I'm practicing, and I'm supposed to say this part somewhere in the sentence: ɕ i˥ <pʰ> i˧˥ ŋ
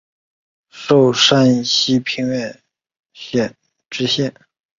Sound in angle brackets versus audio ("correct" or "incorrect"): correct